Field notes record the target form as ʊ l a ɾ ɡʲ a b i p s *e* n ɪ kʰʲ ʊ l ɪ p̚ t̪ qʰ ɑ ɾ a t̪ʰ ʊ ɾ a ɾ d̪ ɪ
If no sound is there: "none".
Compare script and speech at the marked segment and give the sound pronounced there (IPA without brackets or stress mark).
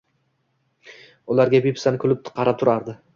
a